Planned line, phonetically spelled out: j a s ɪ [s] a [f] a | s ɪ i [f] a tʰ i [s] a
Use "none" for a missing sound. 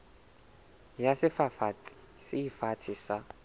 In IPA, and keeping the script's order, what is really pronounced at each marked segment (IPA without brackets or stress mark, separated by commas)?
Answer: f, f, f, s